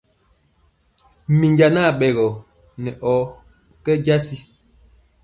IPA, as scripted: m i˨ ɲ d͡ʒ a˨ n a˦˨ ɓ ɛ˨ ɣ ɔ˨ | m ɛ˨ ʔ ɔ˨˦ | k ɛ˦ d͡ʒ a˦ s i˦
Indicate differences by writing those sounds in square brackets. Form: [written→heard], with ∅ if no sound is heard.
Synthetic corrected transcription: m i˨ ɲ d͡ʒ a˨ n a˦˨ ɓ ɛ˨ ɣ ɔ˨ | [m→n] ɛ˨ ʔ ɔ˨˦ | k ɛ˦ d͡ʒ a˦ s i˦